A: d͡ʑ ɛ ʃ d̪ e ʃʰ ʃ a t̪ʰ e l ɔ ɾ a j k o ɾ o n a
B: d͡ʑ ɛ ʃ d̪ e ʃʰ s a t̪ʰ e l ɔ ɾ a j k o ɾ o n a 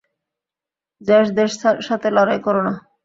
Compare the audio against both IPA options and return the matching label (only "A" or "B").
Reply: A